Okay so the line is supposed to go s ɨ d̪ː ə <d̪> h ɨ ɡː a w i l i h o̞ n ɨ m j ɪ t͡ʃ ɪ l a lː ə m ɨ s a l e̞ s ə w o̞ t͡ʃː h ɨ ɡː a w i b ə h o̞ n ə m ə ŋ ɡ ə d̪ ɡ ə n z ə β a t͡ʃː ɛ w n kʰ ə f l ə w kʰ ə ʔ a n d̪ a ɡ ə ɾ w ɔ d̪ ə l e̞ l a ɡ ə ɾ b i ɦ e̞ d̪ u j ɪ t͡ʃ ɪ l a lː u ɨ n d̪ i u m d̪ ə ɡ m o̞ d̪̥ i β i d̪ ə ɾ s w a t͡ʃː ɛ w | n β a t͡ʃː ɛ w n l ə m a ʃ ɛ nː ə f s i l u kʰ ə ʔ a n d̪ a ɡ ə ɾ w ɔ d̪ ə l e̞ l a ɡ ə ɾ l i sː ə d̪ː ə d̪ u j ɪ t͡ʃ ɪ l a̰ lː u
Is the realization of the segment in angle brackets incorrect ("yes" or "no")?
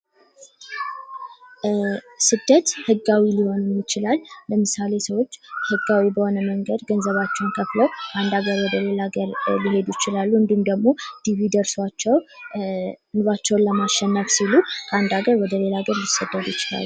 yes